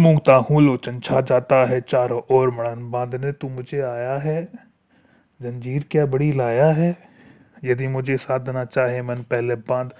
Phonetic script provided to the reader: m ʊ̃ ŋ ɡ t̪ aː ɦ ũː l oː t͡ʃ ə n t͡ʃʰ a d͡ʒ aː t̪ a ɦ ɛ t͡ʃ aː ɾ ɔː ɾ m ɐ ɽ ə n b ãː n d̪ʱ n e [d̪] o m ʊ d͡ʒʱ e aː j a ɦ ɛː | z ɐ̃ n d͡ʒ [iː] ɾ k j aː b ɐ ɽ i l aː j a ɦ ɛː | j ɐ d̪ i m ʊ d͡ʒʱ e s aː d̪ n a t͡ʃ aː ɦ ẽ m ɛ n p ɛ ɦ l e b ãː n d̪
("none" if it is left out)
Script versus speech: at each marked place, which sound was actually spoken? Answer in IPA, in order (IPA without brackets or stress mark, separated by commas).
t̪, iː